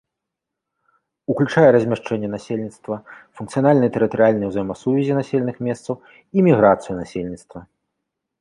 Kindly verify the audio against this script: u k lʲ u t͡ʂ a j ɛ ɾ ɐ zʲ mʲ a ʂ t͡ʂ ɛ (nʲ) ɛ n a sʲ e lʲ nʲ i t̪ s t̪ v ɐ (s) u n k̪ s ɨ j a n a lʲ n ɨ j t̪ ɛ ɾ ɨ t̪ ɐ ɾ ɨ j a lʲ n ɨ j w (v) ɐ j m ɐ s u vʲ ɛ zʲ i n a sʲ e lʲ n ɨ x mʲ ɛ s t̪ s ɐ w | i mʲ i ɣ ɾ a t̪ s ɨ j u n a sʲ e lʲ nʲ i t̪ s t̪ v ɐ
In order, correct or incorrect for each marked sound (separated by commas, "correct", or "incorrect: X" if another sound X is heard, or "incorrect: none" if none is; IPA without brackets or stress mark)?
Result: incorrect: nʲː, incorrect: f, incorrect: z